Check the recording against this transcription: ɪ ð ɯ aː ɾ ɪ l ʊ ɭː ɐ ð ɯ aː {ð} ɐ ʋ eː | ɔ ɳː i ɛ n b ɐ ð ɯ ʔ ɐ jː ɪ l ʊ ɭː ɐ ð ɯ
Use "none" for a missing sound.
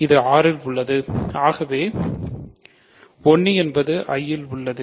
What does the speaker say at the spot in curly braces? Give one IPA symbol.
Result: ɣ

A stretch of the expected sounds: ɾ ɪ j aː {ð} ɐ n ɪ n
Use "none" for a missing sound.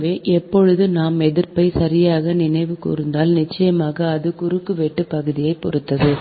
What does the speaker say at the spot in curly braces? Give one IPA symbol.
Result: ɣ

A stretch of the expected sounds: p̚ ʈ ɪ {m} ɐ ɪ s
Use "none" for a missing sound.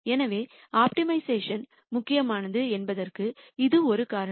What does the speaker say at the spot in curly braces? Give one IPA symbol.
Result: m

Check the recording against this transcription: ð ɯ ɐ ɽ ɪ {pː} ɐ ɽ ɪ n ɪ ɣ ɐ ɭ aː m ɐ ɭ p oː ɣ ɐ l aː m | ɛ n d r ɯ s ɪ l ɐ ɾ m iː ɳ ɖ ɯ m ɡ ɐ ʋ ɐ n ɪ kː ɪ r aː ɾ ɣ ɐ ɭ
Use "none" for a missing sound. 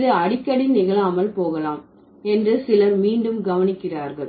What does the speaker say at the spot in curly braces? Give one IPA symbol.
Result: kː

